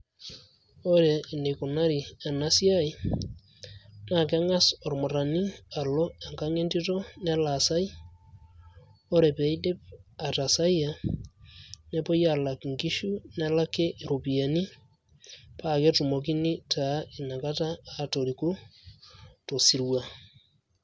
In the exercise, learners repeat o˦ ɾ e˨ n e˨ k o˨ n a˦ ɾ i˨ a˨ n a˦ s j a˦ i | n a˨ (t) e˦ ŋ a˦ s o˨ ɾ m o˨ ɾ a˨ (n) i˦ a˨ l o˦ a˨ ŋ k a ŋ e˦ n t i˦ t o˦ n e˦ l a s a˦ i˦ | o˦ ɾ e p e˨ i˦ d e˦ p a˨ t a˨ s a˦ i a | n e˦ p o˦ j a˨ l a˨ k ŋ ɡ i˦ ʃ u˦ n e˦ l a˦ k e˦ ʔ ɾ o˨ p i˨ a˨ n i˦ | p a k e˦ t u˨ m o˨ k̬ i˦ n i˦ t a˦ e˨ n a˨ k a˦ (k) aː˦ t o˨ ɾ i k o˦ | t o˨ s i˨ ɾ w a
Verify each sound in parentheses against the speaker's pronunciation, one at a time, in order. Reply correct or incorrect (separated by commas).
incorrect, correct, incorrect